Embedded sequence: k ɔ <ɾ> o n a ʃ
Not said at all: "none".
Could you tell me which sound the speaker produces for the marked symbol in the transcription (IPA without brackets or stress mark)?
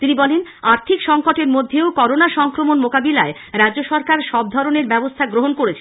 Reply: ɾ